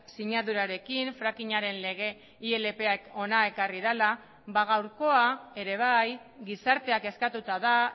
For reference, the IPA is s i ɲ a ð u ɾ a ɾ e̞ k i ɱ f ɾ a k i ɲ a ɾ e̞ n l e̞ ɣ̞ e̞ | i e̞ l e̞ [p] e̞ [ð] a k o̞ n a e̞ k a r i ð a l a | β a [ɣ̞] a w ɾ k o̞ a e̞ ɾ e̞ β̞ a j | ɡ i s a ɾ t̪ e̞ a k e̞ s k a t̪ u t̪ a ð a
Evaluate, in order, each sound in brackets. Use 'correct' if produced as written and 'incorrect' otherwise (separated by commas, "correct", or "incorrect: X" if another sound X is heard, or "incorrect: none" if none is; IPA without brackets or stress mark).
correct, incorrect: none, correct